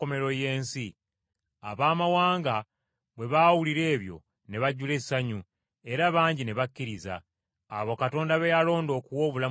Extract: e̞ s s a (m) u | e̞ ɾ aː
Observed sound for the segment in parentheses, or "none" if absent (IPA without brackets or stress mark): ɲ